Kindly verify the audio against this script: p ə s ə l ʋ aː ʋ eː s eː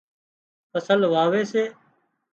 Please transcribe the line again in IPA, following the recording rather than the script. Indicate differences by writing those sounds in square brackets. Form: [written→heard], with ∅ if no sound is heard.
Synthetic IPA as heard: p ə s ə l ʋ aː ʋ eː s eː